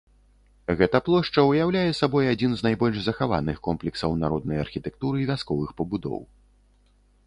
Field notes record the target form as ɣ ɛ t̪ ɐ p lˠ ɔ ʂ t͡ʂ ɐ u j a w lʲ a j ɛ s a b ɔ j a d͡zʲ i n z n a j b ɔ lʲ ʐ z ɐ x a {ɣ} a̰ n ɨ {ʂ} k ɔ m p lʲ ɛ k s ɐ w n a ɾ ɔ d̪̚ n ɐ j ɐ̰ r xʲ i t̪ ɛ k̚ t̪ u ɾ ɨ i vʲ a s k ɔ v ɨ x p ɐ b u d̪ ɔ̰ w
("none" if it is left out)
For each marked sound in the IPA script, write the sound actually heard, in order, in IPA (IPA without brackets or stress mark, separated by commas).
v, x